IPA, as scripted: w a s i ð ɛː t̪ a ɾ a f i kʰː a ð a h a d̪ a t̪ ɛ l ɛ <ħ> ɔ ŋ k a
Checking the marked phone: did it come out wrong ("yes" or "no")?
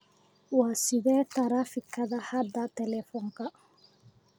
yes